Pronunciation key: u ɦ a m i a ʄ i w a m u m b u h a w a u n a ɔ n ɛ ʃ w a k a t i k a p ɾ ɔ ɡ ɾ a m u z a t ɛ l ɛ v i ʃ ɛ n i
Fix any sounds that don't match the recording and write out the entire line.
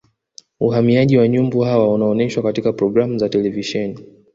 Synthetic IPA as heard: u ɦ a m i a ʄ i w a ɲ u m b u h a w a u n a ɔ n ɛ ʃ w a k a t i k a p ɾ ɔ ɡ ɾ a m u z a t ɛ l ɛ v i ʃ ɛ n i